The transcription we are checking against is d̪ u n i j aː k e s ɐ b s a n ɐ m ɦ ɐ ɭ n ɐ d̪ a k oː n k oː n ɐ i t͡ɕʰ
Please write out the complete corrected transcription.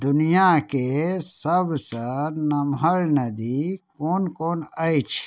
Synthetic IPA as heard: d̪ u n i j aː k e s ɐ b s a n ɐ m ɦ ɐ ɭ n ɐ d̪ i k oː n k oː n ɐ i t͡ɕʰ